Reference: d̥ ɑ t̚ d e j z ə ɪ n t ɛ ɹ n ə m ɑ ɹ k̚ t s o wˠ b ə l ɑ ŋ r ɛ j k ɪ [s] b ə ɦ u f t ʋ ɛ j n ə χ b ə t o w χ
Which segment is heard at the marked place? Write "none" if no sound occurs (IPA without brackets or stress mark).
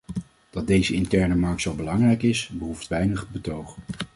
s